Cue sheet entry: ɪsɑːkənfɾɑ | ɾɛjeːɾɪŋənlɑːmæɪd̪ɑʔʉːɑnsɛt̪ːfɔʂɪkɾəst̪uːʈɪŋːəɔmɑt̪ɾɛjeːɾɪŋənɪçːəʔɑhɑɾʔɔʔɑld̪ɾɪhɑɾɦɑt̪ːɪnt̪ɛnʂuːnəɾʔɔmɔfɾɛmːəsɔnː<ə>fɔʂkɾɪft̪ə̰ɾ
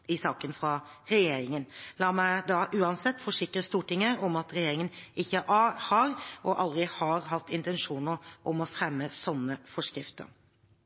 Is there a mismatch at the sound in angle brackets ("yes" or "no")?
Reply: no